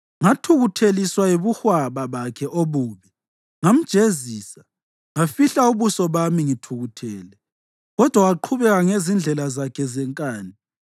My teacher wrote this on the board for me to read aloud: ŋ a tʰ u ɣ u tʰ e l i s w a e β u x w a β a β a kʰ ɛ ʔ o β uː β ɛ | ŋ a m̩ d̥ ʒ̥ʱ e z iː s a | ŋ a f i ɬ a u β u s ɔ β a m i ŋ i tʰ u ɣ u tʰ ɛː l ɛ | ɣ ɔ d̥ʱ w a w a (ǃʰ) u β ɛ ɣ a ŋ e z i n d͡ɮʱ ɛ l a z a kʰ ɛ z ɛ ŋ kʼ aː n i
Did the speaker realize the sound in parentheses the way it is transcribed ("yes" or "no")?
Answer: yes